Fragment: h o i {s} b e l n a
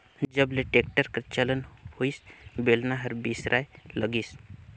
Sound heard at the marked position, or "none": s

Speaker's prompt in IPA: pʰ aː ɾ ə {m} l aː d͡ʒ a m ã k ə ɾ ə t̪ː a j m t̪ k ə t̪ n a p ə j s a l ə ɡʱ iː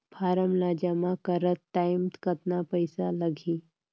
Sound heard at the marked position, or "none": m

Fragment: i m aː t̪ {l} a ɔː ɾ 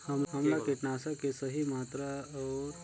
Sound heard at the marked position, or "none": ɾ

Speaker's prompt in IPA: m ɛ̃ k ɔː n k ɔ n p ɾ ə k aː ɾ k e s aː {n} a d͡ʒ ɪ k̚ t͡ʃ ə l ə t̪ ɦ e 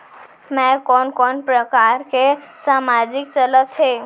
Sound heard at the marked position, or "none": m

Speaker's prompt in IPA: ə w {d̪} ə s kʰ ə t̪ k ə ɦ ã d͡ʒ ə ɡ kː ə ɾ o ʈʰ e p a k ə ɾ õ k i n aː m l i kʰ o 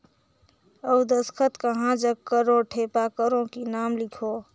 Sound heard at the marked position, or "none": d̪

